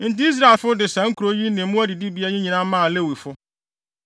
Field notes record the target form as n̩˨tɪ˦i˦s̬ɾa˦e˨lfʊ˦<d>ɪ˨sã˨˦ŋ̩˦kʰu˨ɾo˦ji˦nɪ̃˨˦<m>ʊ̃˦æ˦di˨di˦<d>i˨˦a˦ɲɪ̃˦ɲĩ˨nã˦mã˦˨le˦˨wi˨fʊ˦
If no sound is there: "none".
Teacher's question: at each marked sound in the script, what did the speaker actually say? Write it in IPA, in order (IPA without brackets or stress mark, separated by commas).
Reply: d, m, b